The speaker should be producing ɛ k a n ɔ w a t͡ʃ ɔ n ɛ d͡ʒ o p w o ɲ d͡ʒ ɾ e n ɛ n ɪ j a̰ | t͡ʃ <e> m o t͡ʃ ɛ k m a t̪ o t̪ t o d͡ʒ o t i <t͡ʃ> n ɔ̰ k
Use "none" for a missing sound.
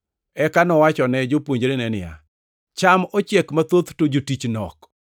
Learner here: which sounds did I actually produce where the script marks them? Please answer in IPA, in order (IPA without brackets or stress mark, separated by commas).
a, t͡ʃ